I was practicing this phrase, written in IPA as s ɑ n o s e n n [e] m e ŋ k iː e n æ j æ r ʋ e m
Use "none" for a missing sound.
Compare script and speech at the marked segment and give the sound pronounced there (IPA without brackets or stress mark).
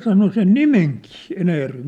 i